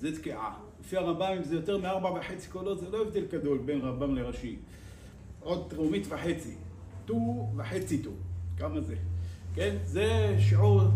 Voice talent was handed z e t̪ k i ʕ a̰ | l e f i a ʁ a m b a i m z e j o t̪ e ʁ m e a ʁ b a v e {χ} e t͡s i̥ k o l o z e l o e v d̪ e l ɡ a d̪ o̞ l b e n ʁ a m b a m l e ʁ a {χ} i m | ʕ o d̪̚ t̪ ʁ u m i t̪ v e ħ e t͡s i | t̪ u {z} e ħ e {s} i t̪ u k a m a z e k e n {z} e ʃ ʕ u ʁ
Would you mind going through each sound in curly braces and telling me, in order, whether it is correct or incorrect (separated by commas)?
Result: incorrect, incorrect, incorrect, incorrect, correct